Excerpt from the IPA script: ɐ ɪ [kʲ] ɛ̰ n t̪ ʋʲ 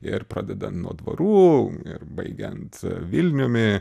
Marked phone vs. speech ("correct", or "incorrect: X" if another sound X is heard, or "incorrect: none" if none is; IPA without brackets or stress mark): incorrect: ɡʲ